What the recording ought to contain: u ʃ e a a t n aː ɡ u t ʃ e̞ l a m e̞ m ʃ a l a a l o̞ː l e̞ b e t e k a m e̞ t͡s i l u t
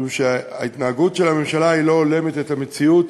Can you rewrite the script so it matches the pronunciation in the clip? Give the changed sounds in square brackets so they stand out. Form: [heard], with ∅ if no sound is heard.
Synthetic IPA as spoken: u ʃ e a [i] t n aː ɡ u t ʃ e̞ l a m e̞ m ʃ a l a [i] l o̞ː l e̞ [m] e t e [t] a m e̞ t͡s i [∅] u t